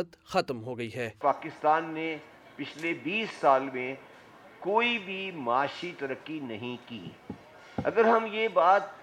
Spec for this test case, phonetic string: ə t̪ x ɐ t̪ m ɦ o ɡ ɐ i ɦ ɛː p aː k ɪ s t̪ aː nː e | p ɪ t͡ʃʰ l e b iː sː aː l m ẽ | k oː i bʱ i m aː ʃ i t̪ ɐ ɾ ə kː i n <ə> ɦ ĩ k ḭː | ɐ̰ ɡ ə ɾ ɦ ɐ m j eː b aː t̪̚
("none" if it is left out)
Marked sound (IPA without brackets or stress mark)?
ɐ